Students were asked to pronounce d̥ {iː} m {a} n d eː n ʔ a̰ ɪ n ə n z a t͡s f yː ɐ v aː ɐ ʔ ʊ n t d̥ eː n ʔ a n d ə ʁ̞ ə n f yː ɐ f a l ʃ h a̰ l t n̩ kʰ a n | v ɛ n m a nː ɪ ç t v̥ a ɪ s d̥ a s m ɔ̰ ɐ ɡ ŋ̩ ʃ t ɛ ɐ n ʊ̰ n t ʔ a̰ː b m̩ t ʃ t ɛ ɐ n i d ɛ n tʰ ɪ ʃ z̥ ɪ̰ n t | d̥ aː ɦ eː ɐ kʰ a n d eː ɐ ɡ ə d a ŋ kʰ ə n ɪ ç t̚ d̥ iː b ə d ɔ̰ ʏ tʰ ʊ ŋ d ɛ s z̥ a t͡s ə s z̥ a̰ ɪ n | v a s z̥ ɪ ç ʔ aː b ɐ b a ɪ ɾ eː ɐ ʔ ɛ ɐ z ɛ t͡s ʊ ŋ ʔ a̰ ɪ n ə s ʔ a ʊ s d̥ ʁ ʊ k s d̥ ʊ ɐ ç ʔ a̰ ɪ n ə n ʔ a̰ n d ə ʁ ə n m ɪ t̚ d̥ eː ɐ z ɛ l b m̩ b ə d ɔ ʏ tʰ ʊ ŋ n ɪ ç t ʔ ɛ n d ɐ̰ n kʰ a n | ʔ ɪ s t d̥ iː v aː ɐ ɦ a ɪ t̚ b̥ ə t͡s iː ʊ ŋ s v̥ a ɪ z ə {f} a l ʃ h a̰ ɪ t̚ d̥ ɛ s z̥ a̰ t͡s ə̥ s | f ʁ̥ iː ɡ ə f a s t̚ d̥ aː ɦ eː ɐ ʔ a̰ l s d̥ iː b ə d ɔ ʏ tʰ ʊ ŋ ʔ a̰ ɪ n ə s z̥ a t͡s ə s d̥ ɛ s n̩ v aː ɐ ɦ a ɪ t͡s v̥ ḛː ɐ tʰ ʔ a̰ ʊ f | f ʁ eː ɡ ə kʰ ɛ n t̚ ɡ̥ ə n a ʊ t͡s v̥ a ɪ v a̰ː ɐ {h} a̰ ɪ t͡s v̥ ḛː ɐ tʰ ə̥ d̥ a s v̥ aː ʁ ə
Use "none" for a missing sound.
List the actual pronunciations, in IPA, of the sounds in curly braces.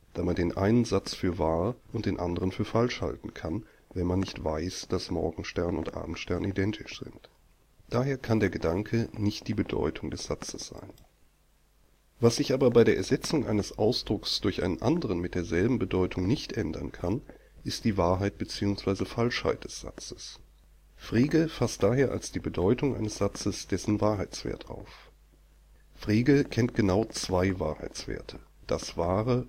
aː, a, f, h

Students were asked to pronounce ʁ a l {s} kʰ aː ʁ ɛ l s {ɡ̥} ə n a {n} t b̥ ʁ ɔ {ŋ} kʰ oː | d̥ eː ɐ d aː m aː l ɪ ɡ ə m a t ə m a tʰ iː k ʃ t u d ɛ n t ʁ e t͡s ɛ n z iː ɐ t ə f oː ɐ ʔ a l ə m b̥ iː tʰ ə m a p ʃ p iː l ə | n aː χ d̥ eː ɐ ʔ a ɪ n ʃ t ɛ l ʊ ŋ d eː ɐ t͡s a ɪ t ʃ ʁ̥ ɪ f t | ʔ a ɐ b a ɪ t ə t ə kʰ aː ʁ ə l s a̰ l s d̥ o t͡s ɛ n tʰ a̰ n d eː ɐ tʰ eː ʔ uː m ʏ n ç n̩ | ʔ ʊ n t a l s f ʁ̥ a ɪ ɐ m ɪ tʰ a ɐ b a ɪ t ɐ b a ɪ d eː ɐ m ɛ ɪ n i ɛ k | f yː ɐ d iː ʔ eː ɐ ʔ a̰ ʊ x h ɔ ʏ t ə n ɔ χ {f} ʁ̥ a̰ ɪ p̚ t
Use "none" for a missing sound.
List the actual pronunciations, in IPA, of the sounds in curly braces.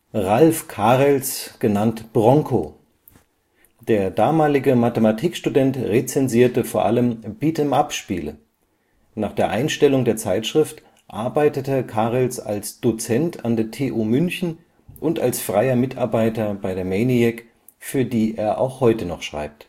f, ɡ̥, n, ŋ, ʃ

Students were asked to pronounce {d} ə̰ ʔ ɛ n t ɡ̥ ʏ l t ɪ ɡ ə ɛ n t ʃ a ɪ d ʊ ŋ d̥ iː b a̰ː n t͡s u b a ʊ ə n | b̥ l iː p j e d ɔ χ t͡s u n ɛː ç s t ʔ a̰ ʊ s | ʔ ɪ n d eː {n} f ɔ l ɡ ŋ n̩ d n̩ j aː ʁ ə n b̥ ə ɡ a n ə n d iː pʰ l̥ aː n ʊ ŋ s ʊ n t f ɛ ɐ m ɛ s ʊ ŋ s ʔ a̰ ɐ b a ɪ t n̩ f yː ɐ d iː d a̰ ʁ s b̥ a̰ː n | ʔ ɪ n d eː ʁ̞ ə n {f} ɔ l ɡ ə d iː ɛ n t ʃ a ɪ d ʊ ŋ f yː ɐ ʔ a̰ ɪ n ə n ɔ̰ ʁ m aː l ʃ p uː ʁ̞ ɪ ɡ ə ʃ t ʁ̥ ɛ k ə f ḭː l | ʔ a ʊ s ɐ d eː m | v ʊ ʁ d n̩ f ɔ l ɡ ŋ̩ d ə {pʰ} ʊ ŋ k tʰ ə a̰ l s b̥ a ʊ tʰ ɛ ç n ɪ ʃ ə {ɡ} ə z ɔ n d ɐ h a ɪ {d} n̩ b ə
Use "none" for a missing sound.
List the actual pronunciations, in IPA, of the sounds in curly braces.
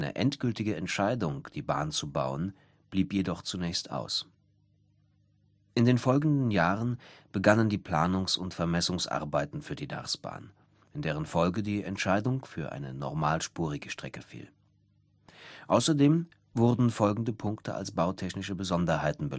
n, n, f, pʰ, b, t

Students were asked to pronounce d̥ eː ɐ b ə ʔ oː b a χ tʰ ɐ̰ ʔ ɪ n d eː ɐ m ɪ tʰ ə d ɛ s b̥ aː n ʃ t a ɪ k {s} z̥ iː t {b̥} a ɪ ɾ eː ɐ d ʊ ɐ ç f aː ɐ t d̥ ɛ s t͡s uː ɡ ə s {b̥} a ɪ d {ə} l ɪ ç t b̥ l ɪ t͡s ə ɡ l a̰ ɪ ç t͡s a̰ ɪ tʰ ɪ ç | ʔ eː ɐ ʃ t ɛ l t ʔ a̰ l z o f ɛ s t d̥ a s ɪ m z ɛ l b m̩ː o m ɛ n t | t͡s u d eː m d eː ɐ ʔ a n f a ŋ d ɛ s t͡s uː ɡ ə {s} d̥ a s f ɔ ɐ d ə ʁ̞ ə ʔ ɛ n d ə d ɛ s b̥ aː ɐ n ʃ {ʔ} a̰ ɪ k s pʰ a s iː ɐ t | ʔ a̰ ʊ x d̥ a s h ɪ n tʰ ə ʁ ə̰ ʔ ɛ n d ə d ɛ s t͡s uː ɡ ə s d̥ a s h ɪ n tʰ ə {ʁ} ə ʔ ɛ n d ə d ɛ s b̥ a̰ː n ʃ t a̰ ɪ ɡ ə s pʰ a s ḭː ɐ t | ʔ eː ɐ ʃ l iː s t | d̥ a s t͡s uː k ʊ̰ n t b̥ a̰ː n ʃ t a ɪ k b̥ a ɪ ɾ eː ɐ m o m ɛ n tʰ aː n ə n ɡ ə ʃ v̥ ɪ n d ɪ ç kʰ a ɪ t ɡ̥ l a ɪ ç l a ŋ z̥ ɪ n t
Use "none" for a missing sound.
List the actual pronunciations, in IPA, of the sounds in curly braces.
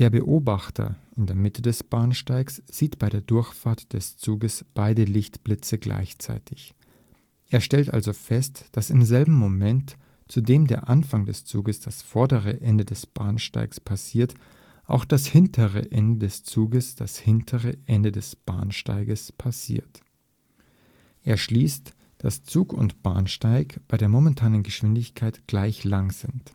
s, b̥, b̥, ə, s, t, ʁ

